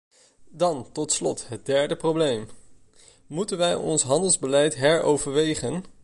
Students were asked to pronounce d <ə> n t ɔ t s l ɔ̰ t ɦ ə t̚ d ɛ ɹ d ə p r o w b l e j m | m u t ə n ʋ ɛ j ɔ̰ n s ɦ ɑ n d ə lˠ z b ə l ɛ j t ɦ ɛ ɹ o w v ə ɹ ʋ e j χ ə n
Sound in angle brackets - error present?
yes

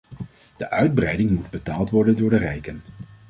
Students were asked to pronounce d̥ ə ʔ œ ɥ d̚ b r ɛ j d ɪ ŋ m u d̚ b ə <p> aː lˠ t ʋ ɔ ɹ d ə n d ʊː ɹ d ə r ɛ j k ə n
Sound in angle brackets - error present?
yes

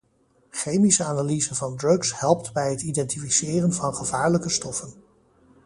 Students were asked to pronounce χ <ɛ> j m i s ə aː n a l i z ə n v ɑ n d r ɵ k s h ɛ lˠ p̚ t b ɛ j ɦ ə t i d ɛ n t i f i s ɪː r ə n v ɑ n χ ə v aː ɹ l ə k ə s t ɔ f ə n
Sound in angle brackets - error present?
yes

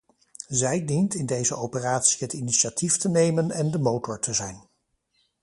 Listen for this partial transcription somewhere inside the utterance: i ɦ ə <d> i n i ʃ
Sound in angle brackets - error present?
yes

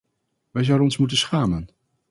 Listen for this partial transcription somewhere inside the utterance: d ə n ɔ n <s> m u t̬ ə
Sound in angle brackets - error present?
no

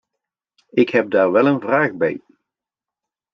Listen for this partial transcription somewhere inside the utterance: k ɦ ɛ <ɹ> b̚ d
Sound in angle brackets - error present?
yes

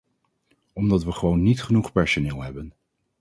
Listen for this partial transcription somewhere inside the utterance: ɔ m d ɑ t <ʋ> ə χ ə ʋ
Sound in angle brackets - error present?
no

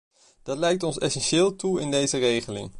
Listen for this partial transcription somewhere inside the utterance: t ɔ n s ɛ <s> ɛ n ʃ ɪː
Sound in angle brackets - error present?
no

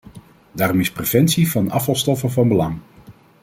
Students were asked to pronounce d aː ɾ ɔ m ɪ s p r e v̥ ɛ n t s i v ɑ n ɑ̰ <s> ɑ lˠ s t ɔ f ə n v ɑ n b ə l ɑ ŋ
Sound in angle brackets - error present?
yes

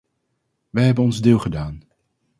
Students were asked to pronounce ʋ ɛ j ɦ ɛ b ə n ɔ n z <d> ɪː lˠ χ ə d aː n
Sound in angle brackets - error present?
no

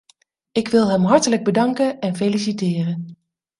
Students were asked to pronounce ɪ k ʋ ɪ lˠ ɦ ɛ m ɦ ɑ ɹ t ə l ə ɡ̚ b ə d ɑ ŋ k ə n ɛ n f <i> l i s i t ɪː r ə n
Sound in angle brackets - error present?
yes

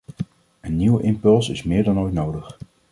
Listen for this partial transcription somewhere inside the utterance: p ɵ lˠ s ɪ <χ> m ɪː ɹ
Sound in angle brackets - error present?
yes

